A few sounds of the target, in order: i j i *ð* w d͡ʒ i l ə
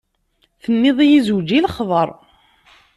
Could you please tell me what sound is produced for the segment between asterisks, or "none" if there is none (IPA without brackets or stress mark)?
z